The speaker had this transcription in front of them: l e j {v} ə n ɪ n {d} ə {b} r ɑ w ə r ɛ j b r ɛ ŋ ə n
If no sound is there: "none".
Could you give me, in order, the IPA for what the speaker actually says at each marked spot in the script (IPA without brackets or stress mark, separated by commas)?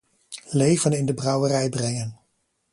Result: v, d, b